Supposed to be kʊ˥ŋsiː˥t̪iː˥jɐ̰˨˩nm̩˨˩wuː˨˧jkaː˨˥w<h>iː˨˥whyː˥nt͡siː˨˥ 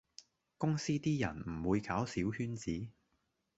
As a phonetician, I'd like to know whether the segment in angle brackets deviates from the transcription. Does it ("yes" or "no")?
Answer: yes